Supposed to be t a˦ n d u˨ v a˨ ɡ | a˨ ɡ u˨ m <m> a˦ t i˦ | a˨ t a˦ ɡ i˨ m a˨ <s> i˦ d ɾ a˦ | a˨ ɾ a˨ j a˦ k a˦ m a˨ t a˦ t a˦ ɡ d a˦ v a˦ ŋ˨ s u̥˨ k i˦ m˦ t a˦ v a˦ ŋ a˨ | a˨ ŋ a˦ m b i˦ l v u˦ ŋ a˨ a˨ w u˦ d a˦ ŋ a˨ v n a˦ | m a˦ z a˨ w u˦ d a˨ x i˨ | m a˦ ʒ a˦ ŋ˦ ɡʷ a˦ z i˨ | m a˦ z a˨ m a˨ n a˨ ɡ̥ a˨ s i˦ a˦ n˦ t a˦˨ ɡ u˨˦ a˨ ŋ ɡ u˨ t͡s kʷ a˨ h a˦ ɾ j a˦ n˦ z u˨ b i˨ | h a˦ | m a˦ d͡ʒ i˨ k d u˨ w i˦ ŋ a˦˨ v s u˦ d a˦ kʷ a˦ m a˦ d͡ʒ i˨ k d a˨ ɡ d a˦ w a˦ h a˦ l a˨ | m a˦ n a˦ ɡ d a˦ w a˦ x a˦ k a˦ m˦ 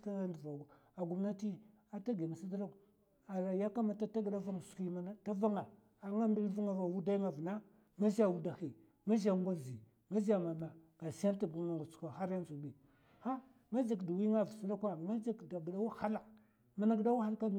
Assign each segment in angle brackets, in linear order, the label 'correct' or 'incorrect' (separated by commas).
incorrect, correct